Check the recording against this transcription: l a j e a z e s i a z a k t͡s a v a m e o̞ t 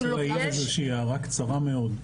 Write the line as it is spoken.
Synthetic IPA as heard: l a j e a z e ʃ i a ʁ a k t͡s a ʁ a m e o̞ d